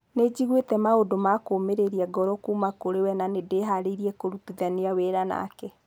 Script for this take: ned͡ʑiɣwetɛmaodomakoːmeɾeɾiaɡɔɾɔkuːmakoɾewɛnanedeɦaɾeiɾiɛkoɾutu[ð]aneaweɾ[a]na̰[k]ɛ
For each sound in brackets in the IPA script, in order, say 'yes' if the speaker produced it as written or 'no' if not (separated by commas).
yes, yes, yes